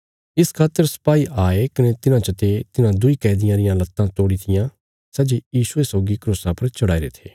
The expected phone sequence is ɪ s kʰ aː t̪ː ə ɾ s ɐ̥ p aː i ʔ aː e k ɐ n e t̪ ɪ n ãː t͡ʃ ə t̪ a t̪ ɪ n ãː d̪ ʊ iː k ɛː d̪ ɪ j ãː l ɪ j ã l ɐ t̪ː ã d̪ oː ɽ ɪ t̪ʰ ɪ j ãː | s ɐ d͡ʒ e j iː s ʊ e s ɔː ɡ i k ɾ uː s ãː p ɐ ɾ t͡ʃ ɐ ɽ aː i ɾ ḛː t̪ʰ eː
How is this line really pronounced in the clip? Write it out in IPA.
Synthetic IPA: ɪ s kʰ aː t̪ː ə ɾ s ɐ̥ p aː i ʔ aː e k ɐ n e t̪ ɪ n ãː t͡ʃ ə t̪ e t̪ ɪ n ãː d̪ ʊ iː k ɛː d̪ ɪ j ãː ɾ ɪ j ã l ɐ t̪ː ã t̪ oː ɽ i t̪ʰ ɪ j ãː | s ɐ d͡ʒ e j iː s ʊ e s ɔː ɡ i k ɾ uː s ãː p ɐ ɾ t͡ʃ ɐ ɽ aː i ɾ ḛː t̪ʰ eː